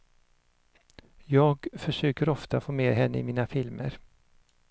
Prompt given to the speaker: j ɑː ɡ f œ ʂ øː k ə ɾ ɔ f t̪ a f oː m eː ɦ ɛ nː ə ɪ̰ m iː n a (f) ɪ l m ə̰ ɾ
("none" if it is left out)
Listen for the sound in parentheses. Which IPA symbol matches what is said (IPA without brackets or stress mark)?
f